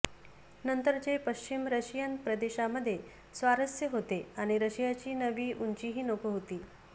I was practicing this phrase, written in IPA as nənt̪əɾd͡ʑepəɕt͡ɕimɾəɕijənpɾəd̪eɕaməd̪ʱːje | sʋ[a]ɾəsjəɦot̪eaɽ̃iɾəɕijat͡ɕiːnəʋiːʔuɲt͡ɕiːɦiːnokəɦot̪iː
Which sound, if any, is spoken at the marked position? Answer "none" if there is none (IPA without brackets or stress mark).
a